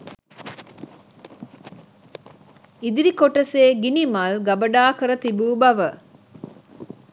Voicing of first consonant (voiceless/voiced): voiced